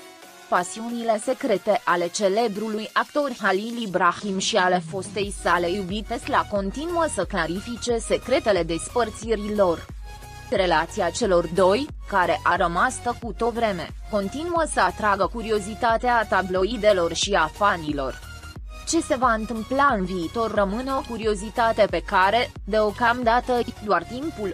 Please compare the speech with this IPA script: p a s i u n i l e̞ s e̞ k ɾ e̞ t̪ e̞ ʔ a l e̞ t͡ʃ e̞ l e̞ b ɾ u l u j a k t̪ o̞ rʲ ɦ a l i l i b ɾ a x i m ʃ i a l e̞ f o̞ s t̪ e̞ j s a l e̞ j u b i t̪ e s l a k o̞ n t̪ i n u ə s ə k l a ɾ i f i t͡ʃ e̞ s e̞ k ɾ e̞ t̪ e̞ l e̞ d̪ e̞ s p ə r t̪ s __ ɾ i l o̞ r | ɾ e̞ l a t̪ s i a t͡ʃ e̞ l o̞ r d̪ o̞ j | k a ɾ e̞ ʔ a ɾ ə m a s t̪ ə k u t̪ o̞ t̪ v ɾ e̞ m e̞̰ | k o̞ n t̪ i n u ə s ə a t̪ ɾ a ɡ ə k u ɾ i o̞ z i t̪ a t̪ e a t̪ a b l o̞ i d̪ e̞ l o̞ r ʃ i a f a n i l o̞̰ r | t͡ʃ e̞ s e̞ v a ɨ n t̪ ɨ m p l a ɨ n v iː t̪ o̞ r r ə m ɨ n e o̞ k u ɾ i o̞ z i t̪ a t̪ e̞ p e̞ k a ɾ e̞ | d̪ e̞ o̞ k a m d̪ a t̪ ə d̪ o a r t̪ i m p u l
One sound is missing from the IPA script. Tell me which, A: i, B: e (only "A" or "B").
A